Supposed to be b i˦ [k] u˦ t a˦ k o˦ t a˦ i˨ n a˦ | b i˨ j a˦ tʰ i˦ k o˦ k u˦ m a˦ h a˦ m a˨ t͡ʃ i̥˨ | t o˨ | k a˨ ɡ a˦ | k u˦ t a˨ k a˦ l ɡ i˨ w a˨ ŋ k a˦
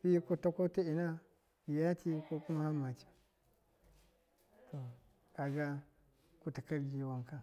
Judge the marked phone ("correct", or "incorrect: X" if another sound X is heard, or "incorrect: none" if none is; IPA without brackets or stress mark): correct